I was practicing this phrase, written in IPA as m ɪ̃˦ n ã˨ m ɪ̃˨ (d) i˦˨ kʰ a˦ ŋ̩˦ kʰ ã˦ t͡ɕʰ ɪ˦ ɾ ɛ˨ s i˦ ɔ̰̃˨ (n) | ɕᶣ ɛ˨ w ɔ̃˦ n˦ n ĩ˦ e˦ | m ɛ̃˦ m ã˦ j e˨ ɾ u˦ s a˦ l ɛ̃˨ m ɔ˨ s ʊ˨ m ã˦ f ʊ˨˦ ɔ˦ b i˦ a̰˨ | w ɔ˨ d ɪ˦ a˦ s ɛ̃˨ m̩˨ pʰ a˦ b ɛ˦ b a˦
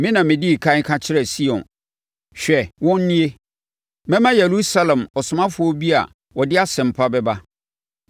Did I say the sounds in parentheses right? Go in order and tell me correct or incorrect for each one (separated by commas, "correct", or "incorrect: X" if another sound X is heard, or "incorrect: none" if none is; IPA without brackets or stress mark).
correct, correct